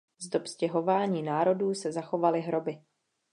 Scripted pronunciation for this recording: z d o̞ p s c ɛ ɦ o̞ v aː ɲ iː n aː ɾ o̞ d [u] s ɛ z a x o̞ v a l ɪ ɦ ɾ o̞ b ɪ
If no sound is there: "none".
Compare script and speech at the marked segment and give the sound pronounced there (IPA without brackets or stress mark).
uː